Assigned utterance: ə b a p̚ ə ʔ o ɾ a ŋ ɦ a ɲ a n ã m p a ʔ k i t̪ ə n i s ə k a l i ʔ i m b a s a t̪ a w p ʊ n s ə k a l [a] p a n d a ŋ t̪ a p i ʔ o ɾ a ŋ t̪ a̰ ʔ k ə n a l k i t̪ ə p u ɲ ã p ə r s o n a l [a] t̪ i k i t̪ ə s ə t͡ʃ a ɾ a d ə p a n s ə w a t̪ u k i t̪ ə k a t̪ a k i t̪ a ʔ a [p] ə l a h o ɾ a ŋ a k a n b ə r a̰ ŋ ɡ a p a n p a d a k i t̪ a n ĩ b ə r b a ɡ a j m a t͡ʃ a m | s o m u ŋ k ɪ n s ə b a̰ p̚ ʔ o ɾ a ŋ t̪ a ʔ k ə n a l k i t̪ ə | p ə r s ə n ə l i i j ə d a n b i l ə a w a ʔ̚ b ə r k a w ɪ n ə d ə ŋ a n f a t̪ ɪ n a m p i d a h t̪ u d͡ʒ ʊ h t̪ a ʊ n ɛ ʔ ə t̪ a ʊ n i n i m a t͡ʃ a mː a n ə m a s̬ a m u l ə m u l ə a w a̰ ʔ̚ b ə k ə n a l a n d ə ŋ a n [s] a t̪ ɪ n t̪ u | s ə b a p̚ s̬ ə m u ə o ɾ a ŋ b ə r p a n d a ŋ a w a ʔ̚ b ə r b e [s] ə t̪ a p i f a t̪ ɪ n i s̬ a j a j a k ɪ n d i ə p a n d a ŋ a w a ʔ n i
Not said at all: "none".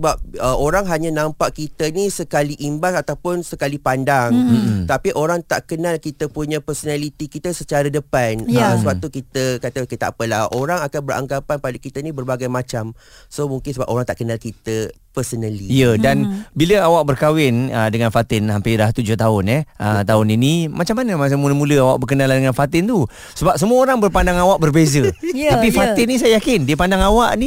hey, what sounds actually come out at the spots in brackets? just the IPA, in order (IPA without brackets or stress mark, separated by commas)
i, i, p, f, z